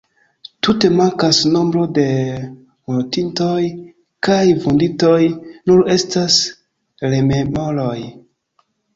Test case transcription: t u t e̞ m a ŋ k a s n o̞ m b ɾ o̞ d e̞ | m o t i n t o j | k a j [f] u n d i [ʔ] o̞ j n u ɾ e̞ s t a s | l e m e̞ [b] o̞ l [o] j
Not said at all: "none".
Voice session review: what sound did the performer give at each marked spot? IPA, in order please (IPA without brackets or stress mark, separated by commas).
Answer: v, t, m, o